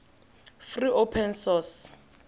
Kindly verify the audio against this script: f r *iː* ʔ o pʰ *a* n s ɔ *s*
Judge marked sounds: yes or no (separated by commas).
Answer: no, no, yes